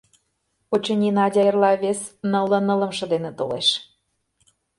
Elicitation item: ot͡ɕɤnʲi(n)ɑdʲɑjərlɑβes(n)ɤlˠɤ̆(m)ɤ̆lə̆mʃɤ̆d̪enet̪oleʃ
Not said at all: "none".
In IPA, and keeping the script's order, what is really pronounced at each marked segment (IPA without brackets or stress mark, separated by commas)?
n, n, n